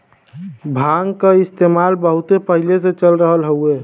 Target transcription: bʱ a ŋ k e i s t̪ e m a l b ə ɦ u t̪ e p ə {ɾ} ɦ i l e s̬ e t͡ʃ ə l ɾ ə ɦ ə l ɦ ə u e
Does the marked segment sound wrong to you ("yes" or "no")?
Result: yes